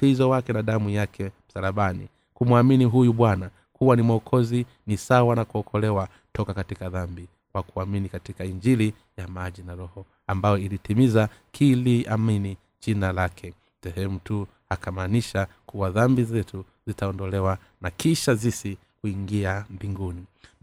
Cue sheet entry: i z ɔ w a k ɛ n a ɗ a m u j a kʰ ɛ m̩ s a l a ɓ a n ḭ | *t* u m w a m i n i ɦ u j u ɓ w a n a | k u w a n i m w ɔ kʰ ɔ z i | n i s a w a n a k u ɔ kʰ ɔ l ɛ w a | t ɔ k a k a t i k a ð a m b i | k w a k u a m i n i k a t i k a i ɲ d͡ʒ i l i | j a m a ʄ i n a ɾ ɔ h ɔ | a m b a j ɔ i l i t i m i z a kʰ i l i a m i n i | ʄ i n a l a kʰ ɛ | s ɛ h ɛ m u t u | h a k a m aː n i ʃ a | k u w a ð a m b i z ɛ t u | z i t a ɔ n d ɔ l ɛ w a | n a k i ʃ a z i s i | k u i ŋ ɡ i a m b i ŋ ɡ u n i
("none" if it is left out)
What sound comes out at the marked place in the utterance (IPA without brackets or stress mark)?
k